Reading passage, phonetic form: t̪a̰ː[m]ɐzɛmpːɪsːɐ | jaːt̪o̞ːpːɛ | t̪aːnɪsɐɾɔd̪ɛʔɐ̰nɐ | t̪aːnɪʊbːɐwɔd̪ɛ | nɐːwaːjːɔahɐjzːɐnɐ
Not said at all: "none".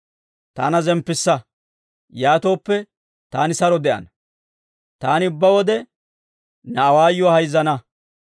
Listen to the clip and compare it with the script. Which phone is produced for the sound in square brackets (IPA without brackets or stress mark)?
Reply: n